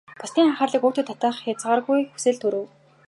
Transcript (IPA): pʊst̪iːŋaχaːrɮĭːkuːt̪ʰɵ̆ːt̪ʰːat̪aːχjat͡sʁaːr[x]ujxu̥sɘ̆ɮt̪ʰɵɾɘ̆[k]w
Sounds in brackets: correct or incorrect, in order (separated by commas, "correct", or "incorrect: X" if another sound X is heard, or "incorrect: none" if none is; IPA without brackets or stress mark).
incorrect: ɣ, incorrect: none